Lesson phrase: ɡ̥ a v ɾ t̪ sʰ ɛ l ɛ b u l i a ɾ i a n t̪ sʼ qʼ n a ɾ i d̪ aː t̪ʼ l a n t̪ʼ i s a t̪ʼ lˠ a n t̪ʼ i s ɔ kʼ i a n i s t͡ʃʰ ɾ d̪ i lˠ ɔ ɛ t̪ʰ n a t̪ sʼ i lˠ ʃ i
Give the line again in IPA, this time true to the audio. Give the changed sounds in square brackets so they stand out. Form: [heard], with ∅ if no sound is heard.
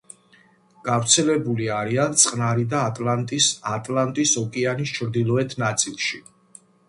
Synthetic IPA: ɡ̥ a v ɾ t̪ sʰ ɛ l ɛ b u l i a ɾ i a n t̪ sʼ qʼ n a ɾ i d̪ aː t̪ʼ l a n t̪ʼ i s a t̪ʼ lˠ a n t̪ʼ i s ɔ kʼ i a n i s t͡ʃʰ ɾ d̪ i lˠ ɔ ɛ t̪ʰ n a t̪ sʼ i lˠ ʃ i